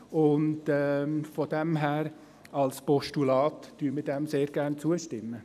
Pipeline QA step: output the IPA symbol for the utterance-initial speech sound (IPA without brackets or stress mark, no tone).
ʊ